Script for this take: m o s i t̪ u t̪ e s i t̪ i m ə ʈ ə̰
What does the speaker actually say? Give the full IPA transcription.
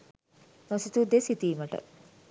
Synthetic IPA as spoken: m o s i t̪ u d̪ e s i t̪ iː m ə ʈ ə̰